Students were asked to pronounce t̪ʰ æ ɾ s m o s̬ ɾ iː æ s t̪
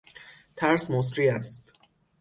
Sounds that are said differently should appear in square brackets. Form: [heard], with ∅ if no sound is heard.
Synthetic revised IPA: t̪ʰ æ ɾ s m o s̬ ɾ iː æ s t̪